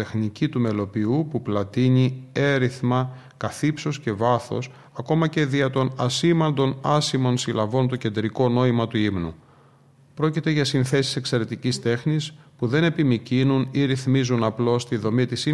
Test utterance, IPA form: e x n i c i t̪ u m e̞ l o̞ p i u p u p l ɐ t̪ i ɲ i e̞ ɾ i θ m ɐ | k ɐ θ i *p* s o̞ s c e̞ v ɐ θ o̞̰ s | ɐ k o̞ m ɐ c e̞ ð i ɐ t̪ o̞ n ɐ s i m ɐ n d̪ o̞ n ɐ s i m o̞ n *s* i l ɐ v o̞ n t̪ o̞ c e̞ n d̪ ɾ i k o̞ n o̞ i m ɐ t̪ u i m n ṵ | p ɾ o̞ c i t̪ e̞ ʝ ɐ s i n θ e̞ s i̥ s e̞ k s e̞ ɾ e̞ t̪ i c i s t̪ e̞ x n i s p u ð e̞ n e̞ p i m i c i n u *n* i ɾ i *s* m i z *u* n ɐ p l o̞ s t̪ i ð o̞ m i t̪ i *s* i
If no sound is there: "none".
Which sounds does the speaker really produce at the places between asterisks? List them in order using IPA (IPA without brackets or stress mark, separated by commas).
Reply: p, s, n, θ, u, s